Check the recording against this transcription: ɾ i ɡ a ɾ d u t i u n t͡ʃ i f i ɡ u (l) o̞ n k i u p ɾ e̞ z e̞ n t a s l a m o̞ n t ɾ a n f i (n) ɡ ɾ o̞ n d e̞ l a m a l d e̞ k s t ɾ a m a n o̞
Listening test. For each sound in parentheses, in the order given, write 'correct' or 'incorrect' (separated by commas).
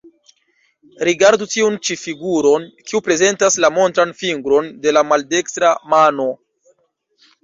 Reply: incorrect, incorrect